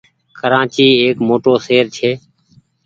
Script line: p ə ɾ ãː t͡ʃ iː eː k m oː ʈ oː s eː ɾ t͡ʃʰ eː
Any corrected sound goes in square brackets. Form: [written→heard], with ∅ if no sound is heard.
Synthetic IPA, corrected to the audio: [p→k] ə ɾ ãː t͡ʃ iː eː k m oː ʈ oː s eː ɾ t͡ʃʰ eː